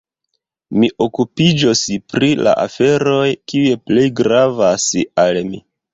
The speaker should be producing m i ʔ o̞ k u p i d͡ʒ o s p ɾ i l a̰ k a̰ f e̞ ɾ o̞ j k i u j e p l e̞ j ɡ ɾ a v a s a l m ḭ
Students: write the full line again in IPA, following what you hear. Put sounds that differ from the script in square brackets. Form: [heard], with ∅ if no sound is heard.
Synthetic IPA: m i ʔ o̞ k u p i d͡ʒ o s p ɾ i l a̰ [ʔ] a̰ f e̞ ɾ o̞ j k i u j e p l e̞ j ɡ ɾ a v a s a l m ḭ